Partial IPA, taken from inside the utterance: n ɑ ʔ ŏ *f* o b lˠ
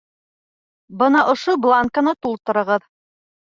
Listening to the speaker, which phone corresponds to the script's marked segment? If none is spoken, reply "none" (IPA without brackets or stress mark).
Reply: ʃ